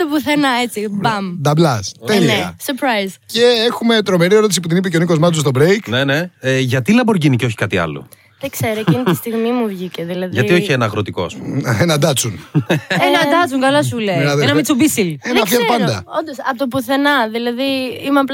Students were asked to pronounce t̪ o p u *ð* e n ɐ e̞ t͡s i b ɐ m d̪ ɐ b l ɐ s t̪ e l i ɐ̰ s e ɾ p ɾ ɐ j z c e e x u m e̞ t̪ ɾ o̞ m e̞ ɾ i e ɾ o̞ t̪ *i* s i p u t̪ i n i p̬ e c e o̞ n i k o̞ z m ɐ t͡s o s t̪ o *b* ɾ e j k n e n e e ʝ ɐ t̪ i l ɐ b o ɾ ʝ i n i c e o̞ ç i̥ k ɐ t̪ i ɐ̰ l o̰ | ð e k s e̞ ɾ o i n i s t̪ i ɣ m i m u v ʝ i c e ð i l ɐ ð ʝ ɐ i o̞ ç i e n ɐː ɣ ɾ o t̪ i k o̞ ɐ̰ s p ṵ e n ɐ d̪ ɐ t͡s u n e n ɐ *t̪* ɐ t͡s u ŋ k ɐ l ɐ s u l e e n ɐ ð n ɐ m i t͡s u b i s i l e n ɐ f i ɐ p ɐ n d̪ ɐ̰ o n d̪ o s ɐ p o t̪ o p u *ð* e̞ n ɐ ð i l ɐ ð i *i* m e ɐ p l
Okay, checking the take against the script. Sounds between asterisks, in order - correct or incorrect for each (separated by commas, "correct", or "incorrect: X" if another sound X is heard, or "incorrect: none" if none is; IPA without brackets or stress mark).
incorrect: θ, correct, correct, incorrect: d̪, incorrect: θ, correct